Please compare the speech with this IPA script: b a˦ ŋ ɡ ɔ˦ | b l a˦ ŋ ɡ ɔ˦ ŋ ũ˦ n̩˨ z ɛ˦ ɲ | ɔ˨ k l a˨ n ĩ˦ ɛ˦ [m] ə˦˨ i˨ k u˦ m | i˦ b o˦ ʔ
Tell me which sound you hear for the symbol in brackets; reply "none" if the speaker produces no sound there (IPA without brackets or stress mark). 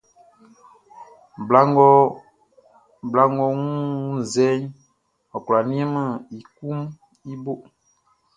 m